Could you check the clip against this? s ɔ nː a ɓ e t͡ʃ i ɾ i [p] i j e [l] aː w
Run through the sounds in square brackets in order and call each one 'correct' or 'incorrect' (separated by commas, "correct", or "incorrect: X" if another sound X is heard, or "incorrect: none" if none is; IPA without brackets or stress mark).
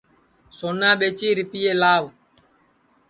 correct, correct